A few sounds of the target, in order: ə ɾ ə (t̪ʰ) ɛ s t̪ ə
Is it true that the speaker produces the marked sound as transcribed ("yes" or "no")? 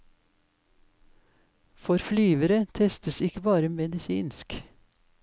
yes